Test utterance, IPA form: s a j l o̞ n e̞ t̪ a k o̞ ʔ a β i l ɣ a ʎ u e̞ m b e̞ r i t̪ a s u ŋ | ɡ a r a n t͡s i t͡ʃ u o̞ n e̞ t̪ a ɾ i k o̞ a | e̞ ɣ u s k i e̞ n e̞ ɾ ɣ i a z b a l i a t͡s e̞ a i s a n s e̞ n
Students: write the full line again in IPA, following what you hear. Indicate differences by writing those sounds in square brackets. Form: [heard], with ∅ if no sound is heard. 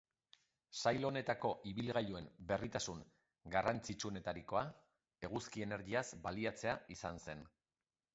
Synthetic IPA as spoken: s a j l o̞ n e̞ t̪ a k o̞ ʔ [i] β i l ɣ a ʎ u e̞ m b e̞ r i t̪ a s u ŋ | ɡ a r a n t͡s i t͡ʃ u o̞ n e̞ t̪ a ɾ i k o̞ a | e̞ ɣ u s k i e̞ n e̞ ɾ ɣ i a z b a l i a t͡s e̞ a i s a n s e̞ n